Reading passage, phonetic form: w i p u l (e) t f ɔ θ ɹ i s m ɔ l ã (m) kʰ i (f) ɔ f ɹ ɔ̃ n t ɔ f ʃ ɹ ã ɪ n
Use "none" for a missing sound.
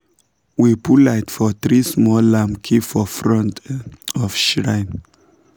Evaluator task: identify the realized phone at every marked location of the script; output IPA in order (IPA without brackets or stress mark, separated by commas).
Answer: a, m, f